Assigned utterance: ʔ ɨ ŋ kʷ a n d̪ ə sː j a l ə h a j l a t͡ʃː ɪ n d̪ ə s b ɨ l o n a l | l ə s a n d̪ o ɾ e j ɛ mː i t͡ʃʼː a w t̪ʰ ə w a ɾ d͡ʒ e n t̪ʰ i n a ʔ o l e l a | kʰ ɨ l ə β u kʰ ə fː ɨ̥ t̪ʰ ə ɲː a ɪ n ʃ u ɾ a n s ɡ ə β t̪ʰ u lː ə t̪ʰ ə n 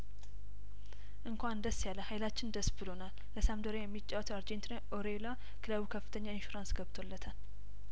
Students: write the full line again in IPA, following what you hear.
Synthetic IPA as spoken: ʔ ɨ ŋ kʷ a n d̪ ə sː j a l ə h a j l a t͡ʃː ɪ n d̪ ə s b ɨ l o n a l | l ə s a m d̪ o ɾ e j ɛ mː i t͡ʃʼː a w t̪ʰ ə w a ɾ d͡ʒ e n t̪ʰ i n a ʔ o ɾ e l a | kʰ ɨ l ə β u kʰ ə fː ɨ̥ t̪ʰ ə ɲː a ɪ n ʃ u ɾ a n s ɡ ə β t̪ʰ o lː ə t̪ʰ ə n